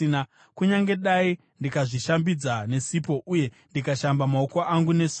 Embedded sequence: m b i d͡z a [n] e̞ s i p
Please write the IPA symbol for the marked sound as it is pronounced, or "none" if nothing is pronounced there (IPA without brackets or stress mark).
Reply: n